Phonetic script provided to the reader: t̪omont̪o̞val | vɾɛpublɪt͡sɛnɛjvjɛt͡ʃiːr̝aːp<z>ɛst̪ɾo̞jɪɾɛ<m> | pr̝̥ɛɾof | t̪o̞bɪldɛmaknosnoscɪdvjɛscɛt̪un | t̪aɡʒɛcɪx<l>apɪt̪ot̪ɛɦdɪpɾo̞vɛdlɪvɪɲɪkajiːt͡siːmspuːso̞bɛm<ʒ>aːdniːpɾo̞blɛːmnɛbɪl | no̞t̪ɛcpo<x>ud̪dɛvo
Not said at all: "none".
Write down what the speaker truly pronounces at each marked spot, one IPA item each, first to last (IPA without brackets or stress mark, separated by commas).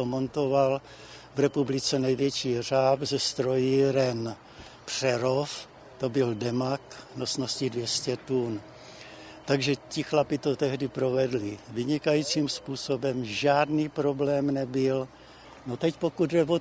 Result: z, n, l, ʒ, k